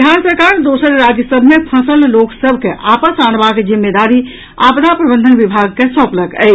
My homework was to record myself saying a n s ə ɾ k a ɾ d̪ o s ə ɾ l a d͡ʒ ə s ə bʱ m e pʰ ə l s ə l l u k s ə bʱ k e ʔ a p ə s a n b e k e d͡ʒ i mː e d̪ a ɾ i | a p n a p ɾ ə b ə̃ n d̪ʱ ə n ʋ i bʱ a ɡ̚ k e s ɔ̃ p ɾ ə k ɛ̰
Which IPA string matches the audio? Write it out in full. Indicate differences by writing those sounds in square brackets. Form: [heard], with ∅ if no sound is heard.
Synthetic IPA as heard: a n s ə ɾ k a ɾ d̪ o s ə ɾ [ɾ] a d͡ʒ ə s ə bʱ m e pʰ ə [∅] s ə l l [o] k s ə bʱ k e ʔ a p ə s a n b [a] k e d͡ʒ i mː e d̪ a ɾ i | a p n a p ɾ ə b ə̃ n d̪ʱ ə n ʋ i bʱ a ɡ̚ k e s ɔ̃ p [l] ə k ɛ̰